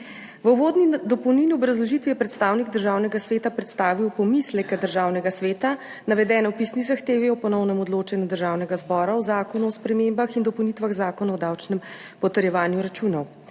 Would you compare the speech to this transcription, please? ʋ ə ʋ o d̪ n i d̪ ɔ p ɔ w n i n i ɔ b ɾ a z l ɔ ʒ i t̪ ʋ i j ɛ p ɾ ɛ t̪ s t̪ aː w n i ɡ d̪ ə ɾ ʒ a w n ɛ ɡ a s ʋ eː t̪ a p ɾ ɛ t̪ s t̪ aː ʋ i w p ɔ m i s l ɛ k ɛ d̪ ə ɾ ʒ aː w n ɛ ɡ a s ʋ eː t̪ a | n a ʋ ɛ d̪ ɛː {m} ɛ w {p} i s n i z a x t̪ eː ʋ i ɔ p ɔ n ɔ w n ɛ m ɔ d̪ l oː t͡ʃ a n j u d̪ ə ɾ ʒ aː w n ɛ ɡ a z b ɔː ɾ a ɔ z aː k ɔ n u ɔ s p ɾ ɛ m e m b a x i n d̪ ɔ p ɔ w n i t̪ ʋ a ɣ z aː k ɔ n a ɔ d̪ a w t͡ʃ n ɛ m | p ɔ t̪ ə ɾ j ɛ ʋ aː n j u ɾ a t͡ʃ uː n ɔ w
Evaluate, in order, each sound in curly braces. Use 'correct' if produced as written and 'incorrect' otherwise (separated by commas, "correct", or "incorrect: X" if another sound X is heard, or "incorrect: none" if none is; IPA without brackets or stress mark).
incorrect: n, correct